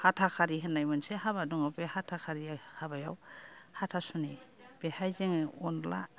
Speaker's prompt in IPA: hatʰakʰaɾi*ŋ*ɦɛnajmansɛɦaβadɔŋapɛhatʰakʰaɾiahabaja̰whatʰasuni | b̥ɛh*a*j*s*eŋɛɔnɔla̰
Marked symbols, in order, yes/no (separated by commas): no, yes, no